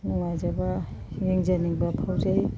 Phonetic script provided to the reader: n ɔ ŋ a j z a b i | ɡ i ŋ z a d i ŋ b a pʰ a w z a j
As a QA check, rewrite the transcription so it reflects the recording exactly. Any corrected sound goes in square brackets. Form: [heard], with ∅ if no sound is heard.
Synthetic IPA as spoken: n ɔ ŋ a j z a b [a] | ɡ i ŋ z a [n] i ŋ b a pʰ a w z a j